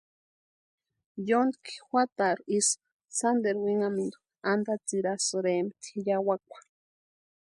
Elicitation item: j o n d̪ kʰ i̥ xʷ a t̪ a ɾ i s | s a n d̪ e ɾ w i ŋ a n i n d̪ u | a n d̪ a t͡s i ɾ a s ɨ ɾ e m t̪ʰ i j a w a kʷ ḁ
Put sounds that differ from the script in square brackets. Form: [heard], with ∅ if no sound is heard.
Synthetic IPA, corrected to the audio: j o n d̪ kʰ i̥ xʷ a t̪ a ɾ i s | s a n d̪ e ɾ w i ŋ a [m] i n d̪ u | a n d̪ a t͡s i ɾ a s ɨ ɾ e m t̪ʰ i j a w a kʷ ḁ